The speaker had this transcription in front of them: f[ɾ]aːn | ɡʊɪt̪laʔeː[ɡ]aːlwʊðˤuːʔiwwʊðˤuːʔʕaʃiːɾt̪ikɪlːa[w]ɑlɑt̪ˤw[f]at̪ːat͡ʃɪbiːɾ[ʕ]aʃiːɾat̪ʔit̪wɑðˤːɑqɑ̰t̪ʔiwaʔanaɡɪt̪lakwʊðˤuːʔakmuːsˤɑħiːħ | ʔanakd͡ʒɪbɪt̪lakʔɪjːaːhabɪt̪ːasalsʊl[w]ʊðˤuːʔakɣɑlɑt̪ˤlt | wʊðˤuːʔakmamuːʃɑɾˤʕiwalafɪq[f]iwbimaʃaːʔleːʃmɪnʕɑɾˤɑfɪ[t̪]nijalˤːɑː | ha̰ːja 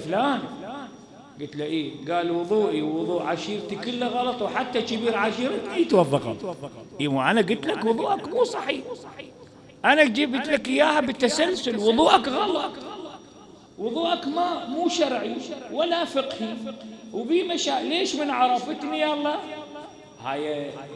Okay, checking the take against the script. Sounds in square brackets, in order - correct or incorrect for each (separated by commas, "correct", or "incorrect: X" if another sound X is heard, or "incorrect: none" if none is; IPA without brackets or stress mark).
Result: incorrect: l, correct, incorrect: ɣ, incorrect: ħ, correct, correct, incorrect: h, correct